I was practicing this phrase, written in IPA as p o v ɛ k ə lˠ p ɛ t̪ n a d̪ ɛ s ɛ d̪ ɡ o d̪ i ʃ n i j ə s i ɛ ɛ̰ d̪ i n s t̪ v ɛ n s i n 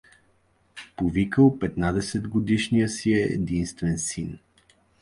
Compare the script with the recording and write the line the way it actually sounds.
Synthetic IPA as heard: p o v i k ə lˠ p ɛ t̪ n a d̪ ɛ s ɛ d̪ ɡ o d̪ i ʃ n i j ə s i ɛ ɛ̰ d̪ i n s t̪ v ɛ n s i n